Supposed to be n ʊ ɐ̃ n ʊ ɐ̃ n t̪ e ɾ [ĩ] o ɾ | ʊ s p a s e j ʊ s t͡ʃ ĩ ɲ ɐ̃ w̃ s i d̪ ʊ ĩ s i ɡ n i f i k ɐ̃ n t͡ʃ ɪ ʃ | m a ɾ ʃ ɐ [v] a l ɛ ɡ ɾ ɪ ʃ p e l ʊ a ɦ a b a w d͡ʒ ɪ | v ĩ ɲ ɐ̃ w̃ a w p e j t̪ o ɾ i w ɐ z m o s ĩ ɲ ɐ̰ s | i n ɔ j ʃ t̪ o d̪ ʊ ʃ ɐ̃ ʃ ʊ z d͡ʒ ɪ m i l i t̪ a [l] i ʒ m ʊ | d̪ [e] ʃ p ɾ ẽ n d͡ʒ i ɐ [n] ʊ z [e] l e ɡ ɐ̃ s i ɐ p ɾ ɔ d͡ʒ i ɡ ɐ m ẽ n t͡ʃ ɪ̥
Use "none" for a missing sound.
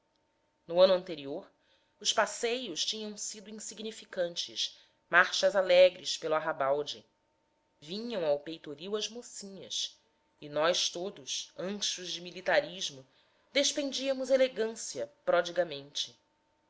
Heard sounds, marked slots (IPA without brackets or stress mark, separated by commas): i, z, ɾ, e, m, e